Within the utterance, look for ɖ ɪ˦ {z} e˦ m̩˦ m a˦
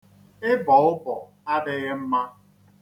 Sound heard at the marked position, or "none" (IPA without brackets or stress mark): ɣ